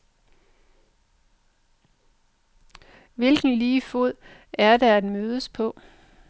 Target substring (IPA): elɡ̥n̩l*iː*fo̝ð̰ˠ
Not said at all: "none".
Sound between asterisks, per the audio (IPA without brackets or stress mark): iː